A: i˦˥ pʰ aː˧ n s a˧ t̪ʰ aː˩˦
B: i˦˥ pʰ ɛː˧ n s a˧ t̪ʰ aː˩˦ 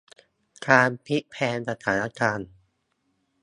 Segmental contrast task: B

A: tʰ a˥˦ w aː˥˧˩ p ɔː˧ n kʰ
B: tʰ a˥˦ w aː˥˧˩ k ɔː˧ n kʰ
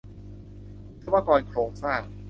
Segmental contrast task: B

